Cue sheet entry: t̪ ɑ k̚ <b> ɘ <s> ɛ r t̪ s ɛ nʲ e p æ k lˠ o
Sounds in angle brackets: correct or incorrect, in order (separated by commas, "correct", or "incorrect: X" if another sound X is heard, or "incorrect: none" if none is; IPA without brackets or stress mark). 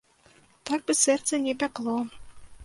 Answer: correct, correct